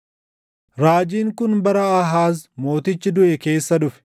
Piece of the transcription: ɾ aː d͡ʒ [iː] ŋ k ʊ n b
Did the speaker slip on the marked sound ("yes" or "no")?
no